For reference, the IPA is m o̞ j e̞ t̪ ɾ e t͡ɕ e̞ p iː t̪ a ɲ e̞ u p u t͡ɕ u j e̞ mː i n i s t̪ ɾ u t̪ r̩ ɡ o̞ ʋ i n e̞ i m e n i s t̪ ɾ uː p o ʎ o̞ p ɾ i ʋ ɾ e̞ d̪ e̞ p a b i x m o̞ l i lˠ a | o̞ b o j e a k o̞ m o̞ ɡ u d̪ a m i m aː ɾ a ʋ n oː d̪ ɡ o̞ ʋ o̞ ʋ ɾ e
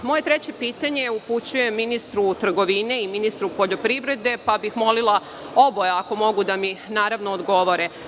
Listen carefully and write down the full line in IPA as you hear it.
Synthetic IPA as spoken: m o̞ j e̞ t̪ ɾ e t͡ɕ e̞ p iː t̪ a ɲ e̞ u p u t͡ɕ u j e̞ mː i n i s t̪ ɾ u t̪ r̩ ɡ o̞ ʋ i n e̞ i m i n i s t̪ ɾ u p o ʎ o̞ p ɾ i ʋ ɾ e̞ d̪ e̞ p a b i x m o̞ l i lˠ a | o̞ b o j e a k o̞ m o̞ ɡ u d̪ a m i n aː ɾ a ʋ n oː d̪ ɡ o̞ ʋ o̞ ɾ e